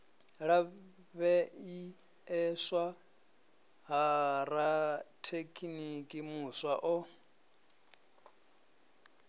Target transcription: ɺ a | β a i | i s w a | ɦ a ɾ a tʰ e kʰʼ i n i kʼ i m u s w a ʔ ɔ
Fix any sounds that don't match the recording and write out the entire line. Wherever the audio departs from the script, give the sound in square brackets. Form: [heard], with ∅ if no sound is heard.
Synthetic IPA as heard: ɺ a | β [ɛ] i | [ɛ] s w a | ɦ a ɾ a tʰ e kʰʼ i n i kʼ i m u s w a ʔ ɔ